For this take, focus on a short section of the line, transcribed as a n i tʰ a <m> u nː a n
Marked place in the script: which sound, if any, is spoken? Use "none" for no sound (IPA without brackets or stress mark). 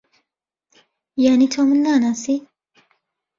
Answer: m